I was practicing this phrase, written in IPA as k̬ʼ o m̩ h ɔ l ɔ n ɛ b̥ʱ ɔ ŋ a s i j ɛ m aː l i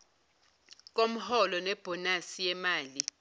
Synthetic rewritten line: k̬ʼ o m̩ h ɔ l ɔ n ɛ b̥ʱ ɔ n a s i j ɛ m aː l i